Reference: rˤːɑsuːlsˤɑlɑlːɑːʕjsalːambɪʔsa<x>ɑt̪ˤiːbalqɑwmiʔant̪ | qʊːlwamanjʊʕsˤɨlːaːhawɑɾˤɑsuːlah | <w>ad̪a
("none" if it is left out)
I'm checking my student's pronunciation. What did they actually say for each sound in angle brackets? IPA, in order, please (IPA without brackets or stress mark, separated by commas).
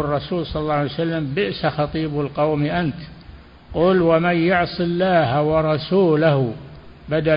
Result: x, b